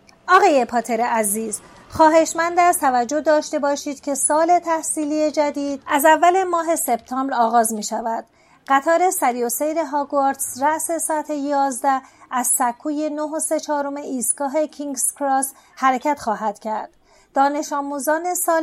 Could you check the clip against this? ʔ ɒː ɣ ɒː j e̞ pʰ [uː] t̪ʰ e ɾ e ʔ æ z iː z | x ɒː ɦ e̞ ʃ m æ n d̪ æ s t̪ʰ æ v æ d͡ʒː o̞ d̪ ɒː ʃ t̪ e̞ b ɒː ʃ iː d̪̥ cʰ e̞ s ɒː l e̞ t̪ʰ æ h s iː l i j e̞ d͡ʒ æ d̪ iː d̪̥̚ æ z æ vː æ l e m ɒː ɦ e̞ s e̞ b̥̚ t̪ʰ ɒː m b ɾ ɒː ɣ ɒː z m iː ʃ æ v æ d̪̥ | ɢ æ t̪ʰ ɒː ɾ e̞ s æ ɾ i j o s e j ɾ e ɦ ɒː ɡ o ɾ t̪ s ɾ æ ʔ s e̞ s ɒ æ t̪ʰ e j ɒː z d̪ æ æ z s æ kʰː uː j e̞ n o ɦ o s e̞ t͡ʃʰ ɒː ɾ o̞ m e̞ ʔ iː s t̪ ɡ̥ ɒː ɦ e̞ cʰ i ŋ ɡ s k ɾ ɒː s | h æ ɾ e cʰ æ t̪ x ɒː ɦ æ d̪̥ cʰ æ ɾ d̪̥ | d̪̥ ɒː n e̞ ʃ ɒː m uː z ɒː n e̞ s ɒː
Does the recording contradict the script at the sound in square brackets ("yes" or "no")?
yes